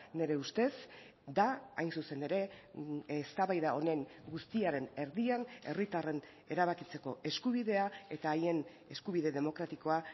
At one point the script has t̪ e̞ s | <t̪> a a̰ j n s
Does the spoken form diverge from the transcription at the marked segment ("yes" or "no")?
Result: yes